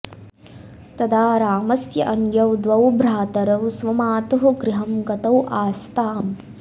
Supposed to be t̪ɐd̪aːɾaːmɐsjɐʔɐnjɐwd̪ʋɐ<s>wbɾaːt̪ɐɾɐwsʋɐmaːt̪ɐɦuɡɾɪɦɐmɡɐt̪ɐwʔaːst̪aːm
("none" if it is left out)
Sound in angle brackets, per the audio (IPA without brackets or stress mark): none